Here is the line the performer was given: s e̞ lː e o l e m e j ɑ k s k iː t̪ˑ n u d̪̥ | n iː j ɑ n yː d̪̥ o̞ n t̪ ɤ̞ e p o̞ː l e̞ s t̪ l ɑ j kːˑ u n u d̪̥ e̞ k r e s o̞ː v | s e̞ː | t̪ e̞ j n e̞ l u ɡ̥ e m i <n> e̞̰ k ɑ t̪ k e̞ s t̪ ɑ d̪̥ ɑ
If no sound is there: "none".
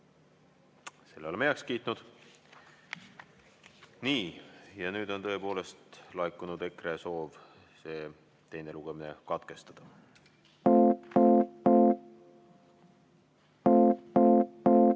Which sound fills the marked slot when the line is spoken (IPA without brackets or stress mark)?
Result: n